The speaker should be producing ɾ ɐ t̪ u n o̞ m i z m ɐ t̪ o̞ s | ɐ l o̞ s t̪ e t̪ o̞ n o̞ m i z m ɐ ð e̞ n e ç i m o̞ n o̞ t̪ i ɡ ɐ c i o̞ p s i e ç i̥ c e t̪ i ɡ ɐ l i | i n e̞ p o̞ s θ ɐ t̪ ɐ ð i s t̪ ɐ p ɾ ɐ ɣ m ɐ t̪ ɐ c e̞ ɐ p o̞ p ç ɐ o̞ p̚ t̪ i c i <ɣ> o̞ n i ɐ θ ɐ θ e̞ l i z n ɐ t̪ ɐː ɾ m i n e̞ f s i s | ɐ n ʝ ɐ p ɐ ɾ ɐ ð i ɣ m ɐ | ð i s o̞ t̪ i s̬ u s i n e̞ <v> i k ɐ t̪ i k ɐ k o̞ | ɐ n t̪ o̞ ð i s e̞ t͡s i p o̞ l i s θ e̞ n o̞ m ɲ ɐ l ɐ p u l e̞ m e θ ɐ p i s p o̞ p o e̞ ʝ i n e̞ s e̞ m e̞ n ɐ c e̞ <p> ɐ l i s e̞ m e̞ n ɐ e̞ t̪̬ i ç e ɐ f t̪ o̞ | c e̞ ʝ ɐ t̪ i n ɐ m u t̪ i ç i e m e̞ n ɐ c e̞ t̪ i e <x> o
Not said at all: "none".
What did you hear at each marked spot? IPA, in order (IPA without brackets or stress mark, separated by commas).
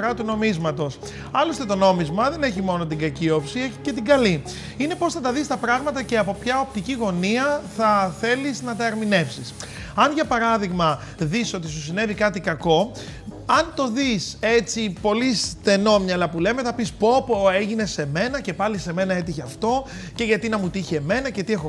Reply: ɣ, v, p, x